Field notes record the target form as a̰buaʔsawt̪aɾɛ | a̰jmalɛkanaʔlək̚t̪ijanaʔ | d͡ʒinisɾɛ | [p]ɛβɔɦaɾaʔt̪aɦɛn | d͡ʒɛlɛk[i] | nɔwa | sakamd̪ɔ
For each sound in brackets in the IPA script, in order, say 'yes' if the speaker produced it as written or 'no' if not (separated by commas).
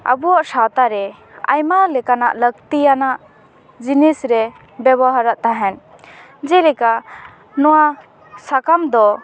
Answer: no, no